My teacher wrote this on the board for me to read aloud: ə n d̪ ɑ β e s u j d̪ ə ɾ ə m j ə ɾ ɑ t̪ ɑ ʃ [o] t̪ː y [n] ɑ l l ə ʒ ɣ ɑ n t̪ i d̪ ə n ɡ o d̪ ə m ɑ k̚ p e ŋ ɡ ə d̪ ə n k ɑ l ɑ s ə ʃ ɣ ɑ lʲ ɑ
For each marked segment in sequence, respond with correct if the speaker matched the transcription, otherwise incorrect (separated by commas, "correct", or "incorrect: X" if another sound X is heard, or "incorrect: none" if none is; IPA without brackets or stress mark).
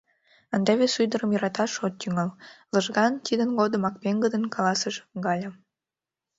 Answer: correct, incorrect: ŋ